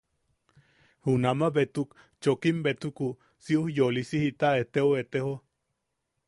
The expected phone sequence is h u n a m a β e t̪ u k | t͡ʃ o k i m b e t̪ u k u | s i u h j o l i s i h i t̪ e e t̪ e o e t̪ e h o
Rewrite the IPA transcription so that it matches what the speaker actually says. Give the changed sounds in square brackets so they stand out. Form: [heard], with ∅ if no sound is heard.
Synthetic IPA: h u n a m a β e t̪ u k | t͡ʃ o k i m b e t̪ u k u | s i u h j o l i s i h i t̪ [a] e t̪ e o e t̪ e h o